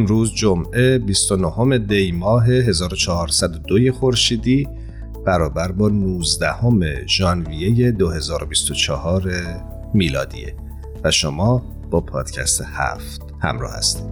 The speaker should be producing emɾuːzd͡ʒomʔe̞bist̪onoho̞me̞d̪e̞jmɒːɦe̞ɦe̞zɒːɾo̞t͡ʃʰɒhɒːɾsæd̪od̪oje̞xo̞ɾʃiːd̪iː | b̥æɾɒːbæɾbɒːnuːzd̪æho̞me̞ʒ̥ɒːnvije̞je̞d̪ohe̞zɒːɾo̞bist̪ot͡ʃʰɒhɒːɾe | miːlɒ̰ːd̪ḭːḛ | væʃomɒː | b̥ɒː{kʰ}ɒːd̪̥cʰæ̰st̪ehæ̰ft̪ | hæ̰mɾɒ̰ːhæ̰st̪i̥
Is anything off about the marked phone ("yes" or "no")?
yes